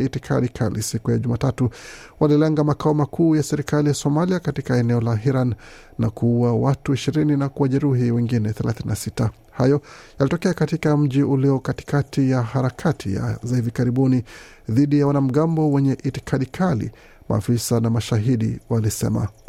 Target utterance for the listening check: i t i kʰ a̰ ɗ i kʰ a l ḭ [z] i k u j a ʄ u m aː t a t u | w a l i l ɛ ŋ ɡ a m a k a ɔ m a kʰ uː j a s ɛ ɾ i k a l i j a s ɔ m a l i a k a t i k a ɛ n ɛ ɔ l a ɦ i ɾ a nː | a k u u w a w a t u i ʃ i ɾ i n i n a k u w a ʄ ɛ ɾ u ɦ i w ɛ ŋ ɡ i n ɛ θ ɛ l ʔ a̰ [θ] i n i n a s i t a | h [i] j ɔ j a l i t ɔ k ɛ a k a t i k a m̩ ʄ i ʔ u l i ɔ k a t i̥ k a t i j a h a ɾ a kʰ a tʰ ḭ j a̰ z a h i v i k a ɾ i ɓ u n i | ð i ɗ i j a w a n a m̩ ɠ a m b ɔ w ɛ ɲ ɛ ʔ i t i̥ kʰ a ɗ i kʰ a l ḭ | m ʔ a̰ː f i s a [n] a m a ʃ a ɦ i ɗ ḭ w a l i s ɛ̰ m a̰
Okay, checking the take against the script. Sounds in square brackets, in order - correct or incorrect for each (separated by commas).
incorrect, correct, incorrect, correct